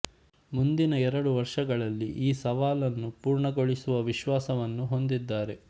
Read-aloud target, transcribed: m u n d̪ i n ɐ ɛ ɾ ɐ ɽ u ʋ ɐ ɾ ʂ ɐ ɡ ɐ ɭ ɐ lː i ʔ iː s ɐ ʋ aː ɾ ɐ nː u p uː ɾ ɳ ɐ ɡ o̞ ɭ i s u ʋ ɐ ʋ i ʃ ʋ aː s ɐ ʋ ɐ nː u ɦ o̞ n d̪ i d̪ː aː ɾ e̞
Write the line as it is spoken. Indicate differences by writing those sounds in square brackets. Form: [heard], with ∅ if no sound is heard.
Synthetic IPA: m u n d̪ i n ɐ ɛ ɾ ɐ ɽ u ʋ ɐ ɾ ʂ ɐ ɡ ɐ ɭ ɐ lː i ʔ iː s ɐ ʋ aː [l] ɐ nː u p uː ɾ ɳ ɐ ɡ o̞ ɭ i s u ʋ ɐ ʋ i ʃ ʋ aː s ɐ ʋ ɐ nː u ɦ o̞ n d̪ i d̪ː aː ɾ e̞